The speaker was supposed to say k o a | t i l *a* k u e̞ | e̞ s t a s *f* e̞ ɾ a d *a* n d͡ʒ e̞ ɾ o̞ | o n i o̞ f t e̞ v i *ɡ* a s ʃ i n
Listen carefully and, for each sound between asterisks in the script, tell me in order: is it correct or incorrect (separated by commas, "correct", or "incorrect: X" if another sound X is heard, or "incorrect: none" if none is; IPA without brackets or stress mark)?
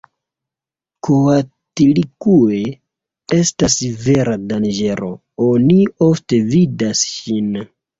incorrect: i, incorrect: v, correct, incorrect: d